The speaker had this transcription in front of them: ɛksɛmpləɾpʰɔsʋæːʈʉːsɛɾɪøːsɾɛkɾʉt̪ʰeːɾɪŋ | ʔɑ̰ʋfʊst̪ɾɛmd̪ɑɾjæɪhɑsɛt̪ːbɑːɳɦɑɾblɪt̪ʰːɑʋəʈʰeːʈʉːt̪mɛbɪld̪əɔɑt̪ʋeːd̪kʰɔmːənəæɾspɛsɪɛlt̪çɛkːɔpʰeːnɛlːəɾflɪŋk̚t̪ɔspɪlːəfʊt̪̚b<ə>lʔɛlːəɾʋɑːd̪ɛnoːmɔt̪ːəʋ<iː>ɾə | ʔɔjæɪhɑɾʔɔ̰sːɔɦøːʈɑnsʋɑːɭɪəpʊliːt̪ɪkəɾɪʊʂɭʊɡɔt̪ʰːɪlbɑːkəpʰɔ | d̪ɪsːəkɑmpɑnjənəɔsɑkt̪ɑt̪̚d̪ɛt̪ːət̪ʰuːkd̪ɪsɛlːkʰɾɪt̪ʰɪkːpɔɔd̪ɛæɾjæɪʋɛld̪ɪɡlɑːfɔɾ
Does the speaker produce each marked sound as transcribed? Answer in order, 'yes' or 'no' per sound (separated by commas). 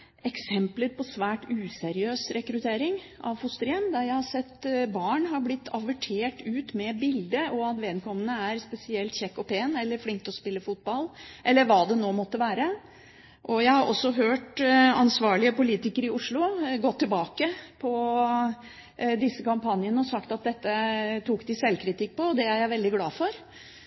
no, no